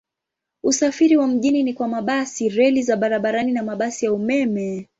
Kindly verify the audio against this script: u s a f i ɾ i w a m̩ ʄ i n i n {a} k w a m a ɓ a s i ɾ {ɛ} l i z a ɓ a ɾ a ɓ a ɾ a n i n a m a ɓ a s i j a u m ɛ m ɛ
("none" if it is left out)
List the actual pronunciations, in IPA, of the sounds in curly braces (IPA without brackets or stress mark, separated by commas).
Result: i, ɛ